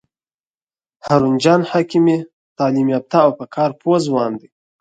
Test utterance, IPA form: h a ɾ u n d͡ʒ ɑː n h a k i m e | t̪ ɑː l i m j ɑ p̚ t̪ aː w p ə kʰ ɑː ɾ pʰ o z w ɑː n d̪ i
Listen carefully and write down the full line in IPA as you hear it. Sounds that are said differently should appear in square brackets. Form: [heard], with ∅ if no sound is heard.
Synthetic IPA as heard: h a ɾ u n d͡ʒ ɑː n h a k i m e | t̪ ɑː l i m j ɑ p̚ t̪ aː w p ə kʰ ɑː ɾ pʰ o z w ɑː n d̪ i